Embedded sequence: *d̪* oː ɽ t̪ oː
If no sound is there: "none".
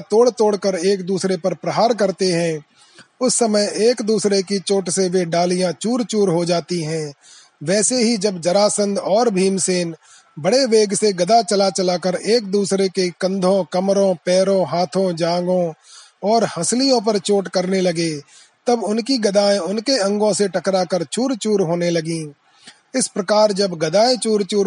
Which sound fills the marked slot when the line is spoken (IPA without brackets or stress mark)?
t̪